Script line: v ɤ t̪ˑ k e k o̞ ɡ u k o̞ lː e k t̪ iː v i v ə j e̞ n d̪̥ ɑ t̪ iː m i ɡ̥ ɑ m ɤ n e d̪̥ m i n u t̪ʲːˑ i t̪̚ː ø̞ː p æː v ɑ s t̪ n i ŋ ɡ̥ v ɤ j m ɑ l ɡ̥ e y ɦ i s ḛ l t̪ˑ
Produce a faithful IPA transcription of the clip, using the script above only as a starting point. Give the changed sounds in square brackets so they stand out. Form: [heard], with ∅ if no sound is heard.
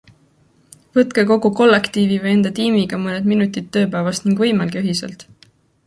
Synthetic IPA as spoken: v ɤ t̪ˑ k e k o̞ ɡ u k o̞ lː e k t̪ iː v i v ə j e̞ n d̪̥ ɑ t̪ iː m i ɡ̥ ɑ m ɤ n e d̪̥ m i n u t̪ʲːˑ i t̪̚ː ø̞ː p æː v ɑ s t̪ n i ŋ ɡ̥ v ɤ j m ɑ l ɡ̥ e y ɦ i s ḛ l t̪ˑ